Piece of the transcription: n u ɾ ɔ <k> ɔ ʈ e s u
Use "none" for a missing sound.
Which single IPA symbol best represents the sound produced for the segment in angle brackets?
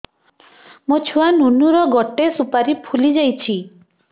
ɡ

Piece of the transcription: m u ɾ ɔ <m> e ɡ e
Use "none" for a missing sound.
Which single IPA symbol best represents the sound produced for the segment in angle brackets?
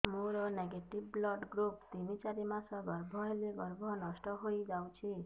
n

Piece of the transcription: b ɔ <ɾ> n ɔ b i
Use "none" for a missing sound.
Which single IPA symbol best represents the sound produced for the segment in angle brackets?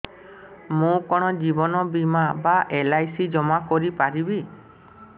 none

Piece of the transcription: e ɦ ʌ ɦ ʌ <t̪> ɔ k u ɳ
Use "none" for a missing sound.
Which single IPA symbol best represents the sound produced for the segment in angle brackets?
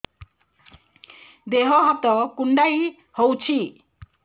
t̪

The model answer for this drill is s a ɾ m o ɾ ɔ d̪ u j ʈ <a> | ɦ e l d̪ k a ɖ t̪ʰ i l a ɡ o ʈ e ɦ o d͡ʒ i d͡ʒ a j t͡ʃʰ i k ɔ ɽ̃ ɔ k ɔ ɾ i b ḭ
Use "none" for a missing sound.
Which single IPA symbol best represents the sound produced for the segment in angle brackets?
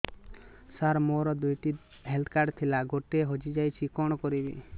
i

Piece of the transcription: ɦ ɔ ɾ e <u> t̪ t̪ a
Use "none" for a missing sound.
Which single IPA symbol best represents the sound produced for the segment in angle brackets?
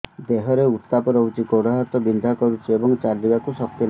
u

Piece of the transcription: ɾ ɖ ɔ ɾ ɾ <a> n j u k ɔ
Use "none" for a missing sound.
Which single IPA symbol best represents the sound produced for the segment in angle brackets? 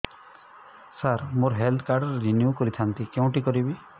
i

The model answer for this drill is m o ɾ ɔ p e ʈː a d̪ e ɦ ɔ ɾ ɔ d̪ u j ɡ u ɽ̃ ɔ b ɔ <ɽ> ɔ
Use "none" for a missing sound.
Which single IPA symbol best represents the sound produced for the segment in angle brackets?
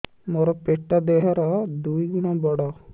ɽ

